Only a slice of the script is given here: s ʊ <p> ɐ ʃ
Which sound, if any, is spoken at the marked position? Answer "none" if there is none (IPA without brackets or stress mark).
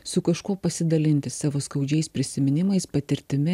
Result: k